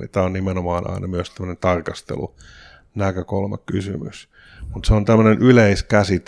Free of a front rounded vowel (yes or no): no